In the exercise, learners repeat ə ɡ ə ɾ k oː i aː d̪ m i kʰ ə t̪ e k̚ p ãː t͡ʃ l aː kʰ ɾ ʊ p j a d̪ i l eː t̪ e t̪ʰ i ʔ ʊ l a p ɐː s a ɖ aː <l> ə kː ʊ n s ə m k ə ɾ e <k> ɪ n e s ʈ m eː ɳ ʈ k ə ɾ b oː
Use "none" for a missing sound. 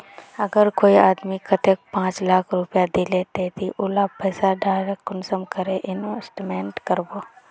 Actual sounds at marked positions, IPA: ɾ, ʔ

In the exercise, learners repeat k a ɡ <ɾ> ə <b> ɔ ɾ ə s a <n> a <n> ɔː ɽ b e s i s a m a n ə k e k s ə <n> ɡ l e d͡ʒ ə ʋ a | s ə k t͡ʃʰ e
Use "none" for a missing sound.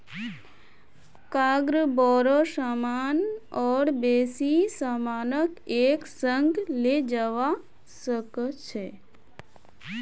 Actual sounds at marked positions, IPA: ɾ, b, m, n, ŋ

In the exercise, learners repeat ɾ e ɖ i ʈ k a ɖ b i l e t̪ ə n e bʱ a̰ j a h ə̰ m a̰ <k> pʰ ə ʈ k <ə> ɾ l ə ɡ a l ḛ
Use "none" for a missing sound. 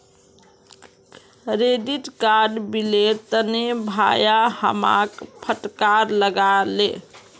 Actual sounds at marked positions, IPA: k, a

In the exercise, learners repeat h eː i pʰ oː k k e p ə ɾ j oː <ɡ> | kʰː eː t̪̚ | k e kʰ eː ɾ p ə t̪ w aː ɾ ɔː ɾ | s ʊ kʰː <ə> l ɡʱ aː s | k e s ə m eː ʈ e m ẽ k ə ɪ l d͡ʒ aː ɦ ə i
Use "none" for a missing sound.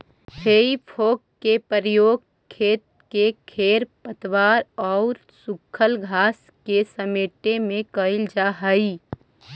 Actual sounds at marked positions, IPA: ɡ, ə

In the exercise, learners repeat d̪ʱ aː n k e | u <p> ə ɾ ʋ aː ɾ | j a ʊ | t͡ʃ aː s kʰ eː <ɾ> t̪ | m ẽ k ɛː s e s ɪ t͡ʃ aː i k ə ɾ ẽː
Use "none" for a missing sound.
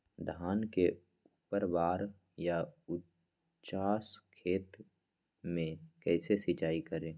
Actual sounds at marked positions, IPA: p, none

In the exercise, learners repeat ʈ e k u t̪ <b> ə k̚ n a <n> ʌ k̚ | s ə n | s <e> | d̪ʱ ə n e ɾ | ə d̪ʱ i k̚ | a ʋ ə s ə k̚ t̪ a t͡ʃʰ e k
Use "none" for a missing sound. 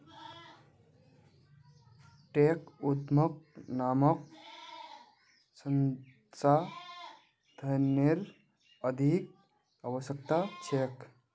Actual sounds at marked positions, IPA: m, m, a

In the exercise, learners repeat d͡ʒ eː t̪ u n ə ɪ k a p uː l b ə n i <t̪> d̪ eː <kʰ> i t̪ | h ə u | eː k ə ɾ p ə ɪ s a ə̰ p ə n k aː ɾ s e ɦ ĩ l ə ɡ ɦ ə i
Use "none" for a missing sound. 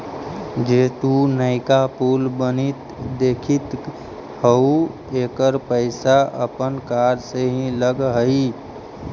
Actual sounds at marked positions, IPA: t̪, kʰ

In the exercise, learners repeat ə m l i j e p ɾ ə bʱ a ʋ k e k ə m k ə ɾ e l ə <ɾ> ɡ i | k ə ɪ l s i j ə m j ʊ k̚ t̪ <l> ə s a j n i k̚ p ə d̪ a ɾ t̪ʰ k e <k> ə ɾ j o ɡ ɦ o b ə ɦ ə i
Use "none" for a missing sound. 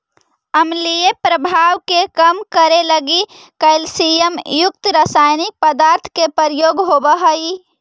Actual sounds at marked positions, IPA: none, ɾ, p

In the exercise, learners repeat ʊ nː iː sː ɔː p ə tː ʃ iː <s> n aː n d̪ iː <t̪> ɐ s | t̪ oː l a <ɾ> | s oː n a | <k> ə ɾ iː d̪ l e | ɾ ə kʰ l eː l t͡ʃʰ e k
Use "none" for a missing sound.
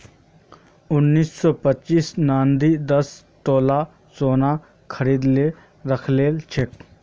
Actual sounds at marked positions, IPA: s, d̪, none, kʰ

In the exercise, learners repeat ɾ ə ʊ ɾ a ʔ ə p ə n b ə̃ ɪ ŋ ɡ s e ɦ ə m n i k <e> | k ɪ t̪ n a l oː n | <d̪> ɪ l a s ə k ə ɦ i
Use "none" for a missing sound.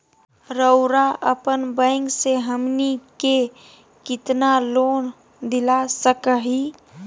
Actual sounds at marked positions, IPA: e, d̪

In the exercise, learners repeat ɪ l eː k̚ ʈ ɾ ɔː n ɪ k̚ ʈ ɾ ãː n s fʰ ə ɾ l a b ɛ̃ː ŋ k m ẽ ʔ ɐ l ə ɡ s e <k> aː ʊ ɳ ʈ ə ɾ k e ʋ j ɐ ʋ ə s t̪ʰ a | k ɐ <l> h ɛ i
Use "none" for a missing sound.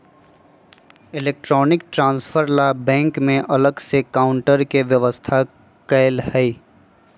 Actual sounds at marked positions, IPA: k, l

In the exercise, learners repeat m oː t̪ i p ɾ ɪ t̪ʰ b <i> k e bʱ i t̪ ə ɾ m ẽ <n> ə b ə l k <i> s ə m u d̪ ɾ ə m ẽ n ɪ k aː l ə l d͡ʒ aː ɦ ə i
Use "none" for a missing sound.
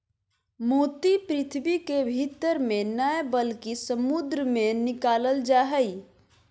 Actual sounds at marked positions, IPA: i, n, i

